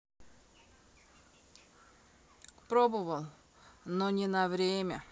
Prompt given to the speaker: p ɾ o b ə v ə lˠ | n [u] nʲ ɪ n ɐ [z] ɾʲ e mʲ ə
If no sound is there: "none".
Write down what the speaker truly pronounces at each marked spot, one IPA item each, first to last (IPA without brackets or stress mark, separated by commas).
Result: o, v